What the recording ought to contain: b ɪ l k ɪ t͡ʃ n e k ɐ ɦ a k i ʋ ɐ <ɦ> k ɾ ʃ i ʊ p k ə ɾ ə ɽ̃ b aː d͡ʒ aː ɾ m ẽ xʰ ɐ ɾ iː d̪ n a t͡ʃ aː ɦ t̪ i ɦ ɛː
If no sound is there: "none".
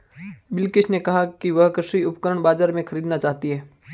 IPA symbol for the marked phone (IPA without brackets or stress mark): ɦ